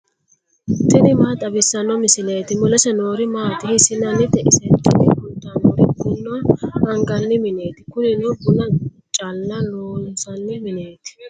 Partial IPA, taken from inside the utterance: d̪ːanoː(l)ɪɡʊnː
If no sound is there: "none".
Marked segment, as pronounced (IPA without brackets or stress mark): ɾ